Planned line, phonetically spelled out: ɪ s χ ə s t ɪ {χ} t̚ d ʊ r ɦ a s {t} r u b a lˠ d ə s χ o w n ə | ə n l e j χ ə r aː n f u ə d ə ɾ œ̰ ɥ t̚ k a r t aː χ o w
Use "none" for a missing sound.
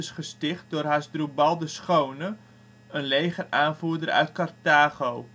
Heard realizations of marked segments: χ, d

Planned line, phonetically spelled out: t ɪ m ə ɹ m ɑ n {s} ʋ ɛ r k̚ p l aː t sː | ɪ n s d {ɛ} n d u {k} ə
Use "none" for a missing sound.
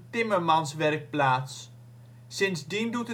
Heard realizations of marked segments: s, i, t

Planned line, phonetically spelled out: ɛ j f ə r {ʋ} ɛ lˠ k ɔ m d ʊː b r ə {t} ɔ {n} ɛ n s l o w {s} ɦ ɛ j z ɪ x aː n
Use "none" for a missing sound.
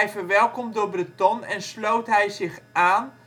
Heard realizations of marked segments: ʋ, t, n, t

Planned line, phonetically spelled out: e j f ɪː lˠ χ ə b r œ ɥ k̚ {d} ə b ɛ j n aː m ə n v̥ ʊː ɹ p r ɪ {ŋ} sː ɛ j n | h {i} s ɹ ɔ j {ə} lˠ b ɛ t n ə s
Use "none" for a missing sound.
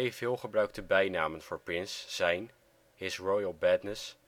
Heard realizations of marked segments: t, n, ɪ, ə

